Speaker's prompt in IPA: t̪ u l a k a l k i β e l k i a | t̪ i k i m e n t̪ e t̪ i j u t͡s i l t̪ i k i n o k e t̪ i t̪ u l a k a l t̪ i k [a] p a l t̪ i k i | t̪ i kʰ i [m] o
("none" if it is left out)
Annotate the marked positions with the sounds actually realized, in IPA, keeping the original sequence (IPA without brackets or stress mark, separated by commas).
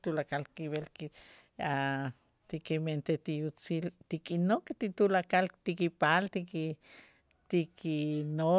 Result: i, n